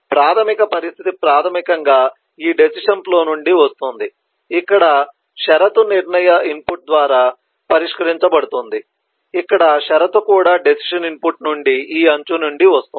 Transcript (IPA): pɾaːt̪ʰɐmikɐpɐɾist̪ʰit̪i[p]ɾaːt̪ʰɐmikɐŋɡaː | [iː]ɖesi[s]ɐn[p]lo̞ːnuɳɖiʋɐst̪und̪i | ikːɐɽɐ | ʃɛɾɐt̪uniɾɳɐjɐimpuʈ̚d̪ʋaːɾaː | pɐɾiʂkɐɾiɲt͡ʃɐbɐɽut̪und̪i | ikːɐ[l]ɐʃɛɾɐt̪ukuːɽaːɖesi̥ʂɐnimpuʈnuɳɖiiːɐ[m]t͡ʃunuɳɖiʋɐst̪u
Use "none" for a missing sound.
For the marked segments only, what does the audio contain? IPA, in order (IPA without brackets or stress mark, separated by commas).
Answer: p, iː, ʂ, p, ɽ, ɲ